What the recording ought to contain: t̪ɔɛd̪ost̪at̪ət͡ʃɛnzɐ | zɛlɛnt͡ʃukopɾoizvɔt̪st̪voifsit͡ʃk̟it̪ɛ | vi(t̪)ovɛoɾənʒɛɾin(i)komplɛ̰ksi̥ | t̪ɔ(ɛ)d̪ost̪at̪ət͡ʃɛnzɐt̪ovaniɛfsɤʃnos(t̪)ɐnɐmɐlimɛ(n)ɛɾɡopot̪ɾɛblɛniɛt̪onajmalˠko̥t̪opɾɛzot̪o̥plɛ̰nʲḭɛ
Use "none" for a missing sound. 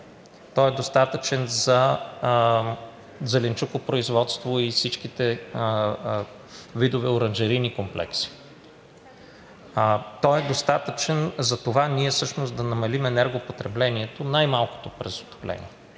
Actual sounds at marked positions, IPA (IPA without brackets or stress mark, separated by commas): d̪, i, ɛ, d̪, n